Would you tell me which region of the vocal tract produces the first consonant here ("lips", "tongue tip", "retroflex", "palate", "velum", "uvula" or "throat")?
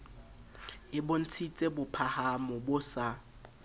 lips